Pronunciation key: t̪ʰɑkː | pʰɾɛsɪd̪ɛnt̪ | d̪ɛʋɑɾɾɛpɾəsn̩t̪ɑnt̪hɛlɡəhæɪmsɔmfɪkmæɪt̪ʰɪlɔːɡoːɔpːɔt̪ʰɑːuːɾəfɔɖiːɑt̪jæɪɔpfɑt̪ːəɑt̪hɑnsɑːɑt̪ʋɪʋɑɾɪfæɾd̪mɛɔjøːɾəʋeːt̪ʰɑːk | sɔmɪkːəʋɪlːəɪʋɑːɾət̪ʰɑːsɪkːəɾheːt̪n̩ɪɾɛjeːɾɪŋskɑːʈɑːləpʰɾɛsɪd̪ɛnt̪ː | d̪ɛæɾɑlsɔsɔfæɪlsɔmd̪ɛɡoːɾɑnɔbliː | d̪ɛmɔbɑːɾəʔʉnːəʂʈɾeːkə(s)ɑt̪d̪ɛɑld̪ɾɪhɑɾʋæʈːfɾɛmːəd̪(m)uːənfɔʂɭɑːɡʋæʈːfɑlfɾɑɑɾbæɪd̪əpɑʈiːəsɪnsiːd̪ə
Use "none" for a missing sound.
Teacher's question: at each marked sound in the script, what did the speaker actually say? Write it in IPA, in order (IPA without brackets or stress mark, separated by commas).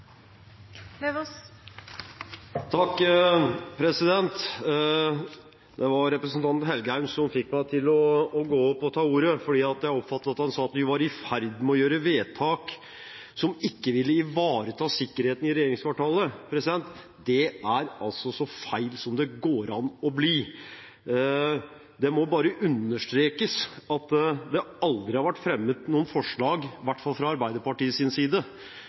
s, n